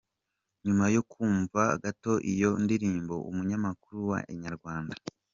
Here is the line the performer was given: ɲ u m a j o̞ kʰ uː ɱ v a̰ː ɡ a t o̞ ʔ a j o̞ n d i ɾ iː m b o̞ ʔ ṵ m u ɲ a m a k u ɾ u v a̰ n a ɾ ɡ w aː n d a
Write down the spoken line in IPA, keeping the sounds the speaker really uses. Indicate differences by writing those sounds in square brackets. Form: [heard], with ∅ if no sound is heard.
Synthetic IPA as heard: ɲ u m a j o̞ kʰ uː ɱ v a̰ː ɡ a t o̞ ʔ [i] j o̞ n d i ɾ iː m b o̞ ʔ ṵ m u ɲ a m a k u ɾ u [w] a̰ [ɲ] a ɾ ɡ w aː n d a